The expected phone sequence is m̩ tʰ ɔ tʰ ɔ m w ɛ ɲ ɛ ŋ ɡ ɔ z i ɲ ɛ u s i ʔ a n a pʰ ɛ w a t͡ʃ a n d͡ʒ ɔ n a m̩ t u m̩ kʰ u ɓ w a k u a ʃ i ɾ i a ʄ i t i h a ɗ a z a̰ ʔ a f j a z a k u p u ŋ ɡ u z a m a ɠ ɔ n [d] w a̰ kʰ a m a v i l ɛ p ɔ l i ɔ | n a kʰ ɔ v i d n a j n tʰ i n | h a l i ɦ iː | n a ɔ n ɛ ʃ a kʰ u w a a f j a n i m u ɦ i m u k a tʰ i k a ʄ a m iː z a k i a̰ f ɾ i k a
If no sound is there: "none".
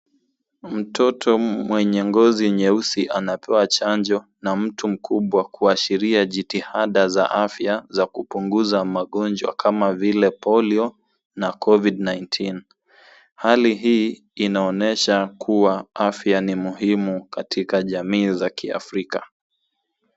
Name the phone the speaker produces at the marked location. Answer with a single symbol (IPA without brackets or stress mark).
d͡ʒ